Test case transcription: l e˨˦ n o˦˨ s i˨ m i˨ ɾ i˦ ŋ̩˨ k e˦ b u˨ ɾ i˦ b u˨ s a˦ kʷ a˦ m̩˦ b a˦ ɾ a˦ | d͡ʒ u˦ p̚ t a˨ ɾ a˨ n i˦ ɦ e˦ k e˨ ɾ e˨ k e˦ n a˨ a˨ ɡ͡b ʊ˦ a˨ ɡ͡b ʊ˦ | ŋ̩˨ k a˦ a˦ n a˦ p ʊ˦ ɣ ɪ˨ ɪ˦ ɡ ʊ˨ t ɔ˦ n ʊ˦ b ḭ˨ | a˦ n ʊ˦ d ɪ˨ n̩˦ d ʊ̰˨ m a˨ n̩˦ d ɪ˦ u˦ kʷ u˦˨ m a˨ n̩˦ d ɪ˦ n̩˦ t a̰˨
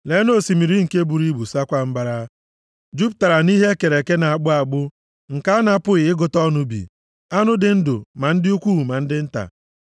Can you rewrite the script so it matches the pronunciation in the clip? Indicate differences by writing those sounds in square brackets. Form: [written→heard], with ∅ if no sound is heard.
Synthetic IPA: l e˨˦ n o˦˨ s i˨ m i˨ ɾ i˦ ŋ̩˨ k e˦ b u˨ ɾ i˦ b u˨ s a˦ kʷ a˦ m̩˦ b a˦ ɾ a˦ | d͡ʒ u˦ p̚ t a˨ ɾ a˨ n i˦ ɦ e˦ k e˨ ɾ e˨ k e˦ n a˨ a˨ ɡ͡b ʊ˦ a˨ ɡ͡b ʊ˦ | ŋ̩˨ k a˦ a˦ n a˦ p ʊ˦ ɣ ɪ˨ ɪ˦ ɡ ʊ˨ t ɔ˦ n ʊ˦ b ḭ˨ | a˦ n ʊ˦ d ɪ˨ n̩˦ d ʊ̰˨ m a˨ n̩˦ d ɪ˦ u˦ kʷ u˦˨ m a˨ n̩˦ d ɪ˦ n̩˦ t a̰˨